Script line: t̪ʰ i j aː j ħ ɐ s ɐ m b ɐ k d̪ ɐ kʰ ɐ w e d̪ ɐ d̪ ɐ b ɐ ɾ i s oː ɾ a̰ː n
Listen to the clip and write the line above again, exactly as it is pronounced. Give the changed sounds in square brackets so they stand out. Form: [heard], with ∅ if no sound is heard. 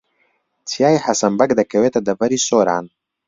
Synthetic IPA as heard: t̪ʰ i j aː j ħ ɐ s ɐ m b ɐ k d̪ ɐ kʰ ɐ w e [t̪] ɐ d̪ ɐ b ɐ ɾ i s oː ɾ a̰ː n